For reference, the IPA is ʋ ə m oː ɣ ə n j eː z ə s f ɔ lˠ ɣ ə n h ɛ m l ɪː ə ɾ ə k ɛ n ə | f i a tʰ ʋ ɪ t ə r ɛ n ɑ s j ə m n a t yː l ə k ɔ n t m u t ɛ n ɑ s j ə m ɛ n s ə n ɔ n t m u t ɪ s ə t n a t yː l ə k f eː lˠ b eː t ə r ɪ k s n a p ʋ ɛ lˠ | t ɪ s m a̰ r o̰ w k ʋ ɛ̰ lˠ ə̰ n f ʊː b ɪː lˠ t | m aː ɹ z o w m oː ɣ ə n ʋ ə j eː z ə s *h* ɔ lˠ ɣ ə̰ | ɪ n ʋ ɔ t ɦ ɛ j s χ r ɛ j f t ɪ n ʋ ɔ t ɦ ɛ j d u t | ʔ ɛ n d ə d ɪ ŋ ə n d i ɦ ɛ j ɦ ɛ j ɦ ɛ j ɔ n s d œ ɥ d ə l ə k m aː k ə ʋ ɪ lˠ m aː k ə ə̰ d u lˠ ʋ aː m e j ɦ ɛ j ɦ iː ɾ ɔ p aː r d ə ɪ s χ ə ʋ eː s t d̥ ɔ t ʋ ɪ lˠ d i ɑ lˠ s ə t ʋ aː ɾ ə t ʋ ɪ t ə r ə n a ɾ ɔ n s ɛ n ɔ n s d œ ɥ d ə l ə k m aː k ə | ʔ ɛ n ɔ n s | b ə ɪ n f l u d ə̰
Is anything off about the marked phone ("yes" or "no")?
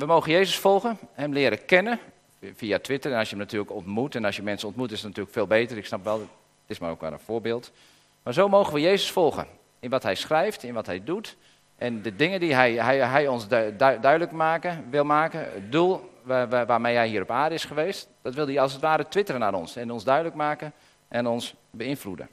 yes